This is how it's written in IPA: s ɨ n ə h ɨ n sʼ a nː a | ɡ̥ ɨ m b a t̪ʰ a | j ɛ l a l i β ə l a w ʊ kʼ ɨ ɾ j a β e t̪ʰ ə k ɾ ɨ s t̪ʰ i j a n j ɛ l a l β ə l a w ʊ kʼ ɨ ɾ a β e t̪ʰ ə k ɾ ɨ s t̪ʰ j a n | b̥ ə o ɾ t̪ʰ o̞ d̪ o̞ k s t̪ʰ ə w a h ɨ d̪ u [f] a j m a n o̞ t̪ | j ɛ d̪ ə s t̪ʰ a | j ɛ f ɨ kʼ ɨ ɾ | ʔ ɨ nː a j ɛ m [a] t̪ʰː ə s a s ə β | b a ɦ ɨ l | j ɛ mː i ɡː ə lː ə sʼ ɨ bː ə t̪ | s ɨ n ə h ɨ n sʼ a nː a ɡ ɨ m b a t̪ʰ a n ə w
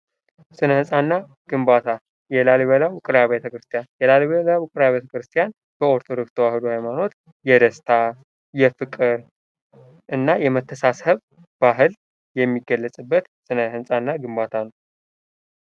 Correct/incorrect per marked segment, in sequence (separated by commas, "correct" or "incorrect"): incorrect, incorrect